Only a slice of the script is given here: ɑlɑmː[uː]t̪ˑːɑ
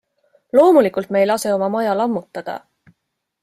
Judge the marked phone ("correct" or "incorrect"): incorrect